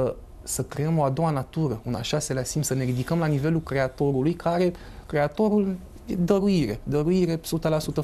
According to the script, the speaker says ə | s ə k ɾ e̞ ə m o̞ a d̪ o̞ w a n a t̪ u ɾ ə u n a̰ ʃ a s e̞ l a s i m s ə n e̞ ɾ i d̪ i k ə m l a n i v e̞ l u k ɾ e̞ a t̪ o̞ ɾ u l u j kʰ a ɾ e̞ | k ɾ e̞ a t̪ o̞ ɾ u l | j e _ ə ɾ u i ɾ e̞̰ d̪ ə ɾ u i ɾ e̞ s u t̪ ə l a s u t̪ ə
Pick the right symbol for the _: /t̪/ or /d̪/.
d̪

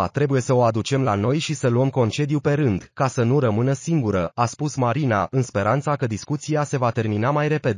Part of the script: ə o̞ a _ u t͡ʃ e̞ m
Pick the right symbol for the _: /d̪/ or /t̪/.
d̪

